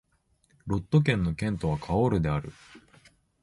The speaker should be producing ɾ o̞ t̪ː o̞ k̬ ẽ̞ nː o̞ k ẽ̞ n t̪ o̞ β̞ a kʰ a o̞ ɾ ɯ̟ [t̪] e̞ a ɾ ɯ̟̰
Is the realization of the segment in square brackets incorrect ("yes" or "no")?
yes